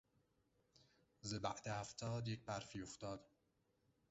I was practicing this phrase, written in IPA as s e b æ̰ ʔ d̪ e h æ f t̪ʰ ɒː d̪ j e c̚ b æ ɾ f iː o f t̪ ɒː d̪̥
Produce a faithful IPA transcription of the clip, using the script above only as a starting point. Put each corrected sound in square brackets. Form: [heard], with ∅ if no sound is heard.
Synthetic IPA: [z] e b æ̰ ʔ d̪ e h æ f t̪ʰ ɒː d̪ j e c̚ b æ ɾ f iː o f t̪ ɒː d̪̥